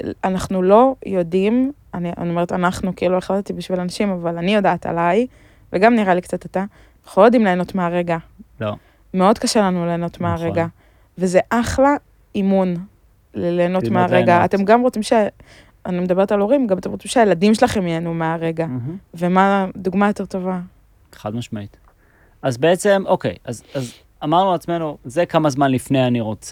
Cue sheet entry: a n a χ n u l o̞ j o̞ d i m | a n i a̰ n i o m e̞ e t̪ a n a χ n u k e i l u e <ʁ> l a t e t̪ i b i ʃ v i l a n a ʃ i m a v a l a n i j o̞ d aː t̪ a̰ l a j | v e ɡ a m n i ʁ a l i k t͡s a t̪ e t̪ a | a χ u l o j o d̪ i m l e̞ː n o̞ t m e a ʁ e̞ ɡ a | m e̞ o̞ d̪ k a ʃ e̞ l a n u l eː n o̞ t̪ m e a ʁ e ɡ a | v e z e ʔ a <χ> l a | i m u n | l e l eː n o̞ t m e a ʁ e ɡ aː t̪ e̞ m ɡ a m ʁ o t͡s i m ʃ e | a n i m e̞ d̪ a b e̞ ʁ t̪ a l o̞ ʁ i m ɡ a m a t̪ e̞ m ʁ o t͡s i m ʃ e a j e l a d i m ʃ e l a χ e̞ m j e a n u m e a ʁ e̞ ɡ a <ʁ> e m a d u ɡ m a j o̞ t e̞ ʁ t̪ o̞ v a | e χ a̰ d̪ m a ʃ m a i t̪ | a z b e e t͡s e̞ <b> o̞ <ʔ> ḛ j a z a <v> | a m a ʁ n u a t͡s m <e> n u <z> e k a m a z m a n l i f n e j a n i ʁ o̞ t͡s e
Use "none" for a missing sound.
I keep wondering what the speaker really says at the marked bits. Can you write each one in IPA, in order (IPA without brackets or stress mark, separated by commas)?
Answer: χ, χ, v, m, k, z, e, z